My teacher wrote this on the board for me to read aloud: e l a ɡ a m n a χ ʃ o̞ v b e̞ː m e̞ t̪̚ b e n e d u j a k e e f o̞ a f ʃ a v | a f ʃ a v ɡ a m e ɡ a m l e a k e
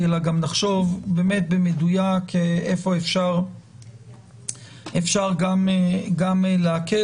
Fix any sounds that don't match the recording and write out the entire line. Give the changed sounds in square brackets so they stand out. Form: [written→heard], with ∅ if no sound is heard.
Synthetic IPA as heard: e l a ɡ a m n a χ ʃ o̞ v b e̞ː m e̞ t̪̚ b e [n→m] e d u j a k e e f o̞ [a→e] f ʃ a [v→ʁ] | [a→e] f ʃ a [v→ʁ] ɡ a m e ɡ a m l e a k e